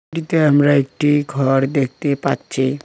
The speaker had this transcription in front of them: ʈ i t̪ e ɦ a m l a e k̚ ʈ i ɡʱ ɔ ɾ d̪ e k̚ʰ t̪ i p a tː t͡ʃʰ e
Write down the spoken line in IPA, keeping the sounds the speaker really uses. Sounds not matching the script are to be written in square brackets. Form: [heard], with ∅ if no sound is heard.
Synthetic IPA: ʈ i t̪ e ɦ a m [ɾ] a e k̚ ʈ i ɡʱ ɔ ɾ d̪ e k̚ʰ t̪ [e] p a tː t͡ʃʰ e